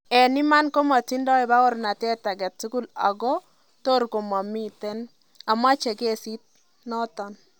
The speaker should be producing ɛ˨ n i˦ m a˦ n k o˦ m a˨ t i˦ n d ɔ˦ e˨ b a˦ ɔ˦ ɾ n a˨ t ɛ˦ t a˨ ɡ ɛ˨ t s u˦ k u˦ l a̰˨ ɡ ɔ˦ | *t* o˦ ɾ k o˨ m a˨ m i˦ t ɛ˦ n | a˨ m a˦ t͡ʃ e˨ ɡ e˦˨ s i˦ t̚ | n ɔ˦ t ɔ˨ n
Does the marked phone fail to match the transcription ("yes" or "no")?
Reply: no